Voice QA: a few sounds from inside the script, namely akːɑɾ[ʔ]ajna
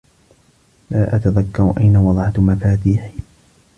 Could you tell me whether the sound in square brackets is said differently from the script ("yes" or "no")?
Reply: no